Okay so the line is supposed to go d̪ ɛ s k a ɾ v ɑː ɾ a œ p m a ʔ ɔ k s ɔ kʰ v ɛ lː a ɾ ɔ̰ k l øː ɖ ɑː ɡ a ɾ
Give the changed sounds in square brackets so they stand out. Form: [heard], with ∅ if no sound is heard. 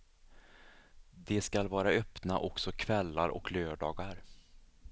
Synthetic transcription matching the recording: d̪ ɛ s k a [l] v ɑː ɾ a œ p [n] a ʔ ɔ k s ɔ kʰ v ɛ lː a ɾ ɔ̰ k l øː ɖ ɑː ɡ a ɾ